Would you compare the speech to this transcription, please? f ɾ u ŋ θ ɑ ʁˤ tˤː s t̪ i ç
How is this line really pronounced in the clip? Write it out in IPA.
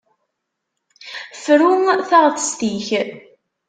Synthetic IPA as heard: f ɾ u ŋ θ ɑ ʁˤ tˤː s t̪ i ç

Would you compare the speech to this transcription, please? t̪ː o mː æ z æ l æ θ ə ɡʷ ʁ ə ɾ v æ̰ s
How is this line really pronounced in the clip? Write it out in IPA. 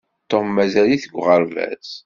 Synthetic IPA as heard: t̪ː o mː æ z æ l i θ ə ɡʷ ʁ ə ɾ v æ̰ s

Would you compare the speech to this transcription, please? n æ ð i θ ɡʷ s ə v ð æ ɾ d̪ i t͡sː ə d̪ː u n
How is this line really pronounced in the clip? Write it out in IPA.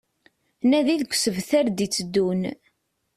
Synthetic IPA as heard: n æ ð i ð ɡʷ s ə v θ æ ɾ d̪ i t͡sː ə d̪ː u n

